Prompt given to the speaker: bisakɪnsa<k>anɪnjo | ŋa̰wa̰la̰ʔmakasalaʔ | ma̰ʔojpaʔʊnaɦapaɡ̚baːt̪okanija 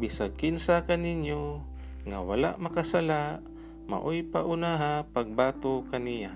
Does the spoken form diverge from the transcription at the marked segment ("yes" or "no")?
no